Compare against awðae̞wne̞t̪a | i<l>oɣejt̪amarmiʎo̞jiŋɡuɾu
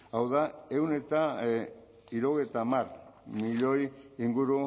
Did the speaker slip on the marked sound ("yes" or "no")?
yes